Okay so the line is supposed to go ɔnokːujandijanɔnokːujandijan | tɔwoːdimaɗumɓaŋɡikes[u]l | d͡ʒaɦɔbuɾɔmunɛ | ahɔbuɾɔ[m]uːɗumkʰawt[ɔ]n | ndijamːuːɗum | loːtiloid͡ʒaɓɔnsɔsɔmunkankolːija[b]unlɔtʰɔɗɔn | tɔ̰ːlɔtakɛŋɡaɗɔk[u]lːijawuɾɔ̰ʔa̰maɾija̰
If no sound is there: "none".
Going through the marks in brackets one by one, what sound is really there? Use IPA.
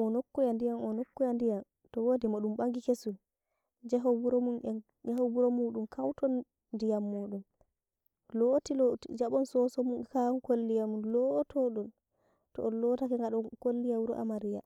u, m, ɔ, m, o

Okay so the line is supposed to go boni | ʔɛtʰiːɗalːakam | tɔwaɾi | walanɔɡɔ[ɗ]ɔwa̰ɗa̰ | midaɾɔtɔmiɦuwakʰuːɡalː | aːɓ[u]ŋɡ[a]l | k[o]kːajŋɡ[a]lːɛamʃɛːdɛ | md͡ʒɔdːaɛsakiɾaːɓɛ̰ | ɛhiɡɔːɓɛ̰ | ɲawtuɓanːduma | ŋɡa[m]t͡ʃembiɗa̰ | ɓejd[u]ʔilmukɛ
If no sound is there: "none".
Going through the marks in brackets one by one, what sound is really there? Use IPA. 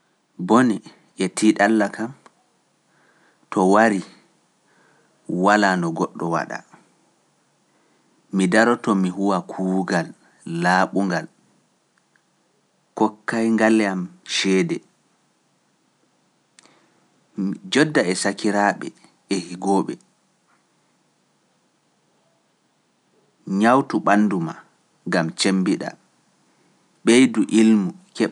ɗː, u, a, ɔ, a, m, u

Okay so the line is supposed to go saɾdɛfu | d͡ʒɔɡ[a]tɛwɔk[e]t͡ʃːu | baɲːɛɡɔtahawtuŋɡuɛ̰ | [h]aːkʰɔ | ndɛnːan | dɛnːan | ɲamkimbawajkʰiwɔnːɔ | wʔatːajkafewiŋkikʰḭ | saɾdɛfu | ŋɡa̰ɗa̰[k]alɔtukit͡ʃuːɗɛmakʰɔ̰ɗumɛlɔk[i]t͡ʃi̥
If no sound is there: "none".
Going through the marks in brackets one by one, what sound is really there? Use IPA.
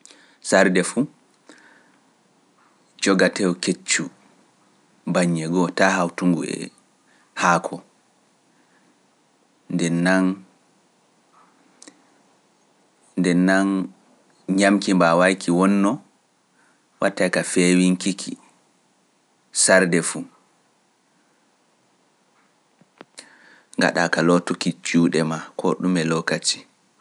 a, e, h, k, a

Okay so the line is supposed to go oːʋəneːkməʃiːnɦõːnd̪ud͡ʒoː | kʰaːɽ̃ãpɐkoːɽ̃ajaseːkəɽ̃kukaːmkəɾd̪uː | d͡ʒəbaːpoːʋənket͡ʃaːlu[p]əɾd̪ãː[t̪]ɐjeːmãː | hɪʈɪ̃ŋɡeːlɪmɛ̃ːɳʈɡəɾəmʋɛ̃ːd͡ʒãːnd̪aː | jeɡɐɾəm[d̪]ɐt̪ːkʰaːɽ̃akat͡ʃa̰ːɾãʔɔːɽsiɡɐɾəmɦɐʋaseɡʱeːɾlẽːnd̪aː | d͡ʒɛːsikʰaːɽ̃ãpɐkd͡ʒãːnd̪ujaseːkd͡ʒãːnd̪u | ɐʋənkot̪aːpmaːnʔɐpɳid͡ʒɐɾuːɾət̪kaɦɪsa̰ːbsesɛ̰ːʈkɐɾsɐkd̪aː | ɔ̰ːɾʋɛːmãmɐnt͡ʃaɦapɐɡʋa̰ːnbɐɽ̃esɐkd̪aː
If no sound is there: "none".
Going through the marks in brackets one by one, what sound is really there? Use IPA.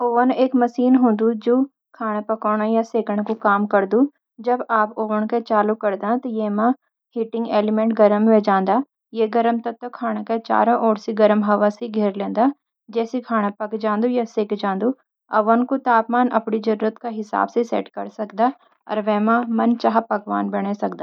k, t̪, t̪

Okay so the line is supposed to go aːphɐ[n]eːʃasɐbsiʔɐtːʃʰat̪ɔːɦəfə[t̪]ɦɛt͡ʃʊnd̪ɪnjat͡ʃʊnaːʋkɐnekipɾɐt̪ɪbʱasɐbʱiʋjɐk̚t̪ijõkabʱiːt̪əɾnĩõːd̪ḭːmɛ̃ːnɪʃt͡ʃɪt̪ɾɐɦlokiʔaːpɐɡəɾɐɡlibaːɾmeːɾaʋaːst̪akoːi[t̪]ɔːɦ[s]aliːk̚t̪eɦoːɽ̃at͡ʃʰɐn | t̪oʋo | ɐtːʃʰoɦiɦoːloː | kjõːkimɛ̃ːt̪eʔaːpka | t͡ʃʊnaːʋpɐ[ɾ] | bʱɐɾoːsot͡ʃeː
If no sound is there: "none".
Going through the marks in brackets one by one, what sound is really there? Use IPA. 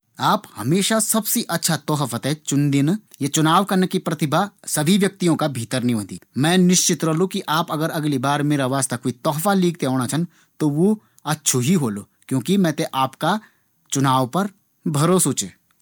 m, t̪, t̪, f, ɾ

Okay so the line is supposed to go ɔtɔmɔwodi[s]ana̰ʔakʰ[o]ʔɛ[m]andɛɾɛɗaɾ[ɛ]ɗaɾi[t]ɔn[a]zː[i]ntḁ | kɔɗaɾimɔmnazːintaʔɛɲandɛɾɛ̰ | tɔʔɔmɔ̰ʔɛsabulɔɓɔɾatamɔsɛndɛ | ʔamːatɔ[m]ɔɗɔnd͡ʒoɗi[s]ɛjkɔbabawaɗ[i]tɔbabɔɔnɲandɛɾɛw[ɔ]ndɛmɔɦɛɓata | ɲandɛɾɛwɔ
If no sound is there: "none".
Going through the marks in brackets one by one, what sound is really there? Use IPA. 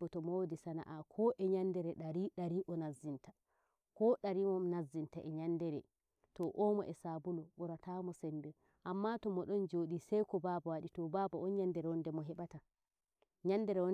s, ɔ, ɲ, i, ʔ, a, i, m, s, i, ɔ

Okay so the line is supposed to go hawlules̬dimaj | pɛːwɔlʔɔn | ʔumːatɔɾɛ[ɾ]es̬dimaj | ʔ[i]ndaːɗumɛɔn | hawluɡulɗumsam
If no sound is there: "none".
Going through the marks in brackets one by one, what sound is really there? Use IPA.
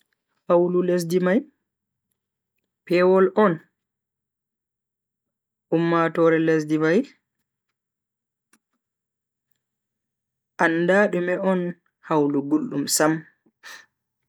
l, a

